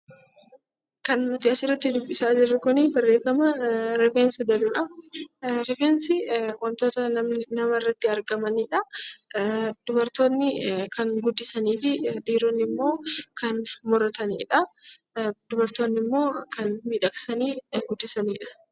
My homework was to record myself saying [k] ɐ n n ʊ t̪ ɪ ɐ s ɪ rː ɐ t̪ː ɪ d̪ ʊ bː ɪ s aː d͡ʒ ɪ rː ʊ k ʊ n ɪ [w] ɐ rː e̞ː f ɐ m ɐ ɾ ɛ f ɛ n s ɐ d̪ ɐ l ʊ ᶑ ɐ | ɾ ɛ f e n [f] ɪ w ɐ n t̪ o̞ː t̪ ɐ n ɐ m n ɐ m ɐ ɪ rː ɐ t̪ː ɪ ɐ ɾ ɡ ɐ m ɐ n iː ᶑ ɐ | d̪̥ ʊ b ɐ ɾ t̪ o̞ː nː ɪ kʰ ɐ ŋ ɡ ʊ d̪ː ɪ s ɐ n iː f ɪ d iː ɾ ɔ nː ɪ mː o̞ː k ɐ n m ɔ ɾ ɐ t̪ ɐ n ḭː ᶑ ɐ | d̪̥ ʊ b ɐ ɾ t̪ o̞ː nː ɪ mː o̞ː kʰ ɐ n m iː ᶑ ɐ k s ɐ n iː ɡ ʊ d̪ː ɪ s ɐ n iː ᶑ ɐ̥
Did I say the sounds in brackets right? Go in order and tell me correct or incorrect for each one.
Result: correct, incorrect: b, incorrect: s

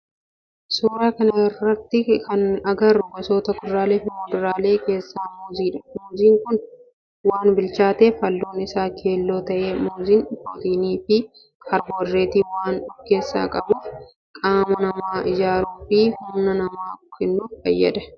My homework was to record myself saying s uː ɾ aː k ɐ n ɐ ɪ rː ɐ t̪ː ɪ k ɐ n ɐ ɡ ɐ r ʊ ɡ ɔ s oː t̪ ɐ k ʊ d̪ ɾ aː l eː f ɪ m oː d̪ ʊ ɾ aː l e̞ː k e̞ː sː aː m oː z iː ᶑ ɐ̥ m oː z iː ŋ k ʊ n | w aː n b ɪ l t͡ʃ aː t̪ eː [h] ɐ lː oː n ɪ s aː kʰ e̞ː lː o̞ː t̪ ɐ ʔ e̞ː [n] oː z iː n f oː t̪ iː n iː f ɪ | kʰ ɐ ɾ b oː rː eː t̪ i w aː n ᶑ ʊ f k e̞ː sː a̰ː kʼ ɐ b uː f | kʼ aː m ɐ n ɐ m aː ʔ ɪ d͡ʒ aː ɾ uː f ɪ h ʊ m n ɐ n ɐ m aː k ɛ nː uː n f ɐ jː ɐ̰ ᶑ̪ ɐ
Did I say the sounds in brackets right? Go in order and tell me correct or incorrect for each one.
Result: incorrect: f, incorrect: m

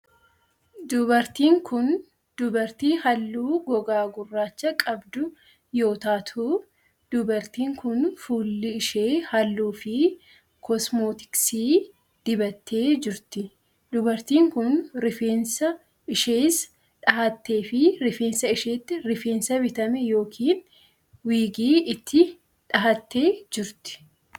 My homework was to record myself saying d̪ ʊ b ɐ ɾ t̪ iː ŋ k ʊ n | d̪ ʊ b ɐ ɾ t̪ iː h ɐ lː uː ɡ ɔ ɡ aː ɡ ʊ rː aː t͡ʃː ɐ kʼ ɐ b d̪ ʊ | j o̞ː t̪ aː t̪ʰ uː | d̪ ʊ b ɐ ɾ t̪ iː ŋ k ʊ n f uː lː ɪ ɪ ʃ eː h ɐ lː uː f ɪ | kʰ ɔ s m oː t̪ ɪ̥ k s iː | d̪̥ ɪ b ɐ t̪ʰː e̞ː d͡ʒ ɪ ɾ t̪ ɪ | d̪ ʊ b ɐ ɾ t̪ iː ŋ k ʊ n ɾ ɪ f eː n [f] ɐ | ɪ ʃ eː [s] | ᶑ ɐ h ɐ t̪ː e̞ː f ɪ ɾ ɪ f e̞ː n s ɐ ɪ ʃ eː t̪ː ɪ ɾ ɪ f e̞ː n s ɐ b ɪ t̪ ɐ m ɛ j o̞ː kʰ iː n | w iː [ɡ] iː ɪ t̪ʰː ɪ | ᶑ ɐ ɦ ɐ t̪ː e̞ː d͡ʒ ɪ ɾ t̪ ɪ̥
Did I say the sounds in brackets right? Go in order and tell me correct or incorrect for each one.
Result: incorrect: s, correct, correct

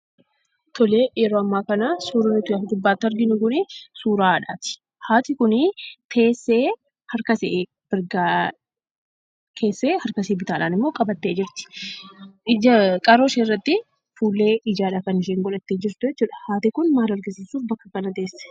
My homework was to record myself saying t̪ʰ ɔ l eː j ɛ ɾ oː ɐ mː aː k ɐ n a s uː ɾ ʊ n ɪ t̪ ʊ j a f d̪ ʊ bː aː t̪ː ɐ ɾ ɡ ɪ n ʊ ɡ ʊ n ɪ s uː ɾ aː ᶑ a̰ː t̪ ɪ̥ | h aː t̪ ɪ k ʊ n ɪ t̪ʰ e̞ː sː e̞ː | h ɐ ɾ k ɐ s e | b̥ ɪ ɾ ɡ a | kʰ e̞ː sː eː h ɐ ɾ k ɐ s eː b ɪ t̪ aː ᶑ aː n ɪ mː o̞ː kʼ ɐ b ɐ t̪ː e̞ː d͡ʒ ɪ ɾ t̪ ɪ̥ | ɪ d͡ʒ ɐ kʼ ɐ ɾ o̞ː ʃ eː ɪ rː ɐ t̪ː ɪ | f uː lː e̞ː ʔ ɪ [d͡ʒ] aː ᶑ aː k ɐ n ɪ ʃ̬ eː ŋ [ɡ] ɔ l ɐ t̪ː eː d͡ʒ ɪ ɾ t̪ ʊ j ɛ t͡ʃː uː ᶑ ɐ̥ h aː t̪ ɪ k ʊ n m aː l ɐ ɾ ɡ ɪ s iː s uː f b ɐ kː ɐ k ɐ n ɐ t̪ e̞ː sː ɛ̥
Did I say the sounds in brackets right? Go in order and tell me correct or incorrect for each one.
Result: correct, correct

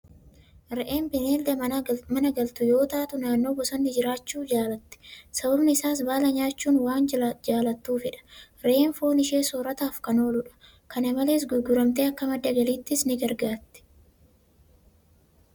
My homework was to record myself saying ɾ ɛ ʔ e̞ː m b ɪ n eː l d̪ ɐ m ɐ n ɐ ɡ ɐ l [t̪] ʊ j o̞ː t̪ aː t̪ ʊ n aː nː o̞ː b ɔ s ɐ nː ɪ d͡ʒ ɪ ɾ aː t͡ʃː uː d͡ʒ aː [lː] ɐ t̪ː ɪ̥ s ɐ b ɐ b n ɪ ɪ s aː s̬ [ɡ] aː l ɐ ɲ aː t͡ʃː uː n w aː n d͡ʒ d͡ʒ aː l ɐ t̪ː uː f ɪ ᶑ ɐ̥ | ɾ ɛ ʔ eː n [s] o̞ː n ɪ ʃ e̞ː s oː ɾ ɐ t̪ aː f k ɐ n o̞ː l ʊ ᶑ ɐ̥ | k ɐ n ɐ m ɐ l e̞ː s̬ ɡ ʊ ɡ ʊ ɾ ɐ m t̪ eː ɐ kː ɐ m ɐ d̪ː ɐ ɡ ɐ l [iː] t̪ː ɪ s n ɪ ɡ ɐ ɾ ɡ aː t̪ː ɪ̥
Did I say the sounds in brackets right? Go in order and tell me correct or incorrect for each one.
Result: correct, incorrect: l, incorrect: b, incorrect: f, correct

